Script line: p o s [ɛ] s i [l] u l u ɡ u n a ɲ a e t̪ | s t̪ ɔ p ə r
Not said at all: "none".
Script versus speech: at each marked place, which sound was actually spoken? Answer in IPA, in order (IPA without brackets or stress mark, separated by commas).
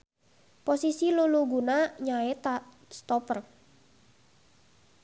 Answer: i, l